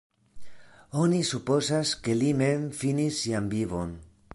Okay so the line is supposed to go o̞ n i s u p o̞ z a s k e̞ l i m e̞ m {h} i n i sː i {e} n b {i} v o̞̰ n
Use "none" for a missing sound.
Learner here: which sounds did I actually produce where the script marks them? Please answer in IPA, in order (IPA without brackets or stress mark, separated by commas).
f, a, i